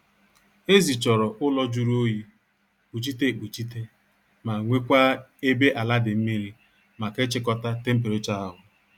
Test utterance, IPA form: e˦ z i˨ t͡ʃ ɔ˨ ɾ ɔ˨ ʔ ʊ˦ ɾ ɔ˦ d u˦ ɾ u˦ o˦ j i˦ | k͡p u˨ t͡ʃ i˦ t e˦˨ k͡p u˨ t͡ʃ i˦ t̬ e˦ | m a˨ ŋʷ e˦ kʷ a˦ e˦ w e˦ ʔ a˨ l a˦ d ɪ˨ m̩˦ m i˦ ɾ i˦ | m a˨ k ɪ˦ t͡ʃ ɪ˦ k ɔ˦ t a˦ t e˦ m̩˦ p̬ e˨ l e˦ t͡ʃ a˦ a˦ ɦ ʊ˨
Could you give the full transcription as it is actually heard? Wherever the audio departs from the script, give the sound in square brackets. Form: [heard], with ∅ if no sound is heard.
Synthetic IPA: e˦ z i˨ t͡ʃ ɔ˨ ɾ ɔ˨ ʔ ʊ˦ [l] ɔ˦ [d͡ʒ] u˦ ɾ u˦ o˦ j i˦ | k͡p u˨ t͡ʃ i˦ t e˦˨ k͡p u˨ t͡ʃ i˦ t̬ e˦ | m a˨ ŋʷ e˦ kʷ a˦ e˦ [b] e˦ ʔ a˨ l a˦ d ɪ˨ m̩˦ m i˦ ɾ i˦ | m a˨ k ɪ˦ t͡ʃ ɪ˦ k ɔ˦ t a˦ t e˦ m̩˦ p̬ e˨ [ɾ] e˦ t͡ʃ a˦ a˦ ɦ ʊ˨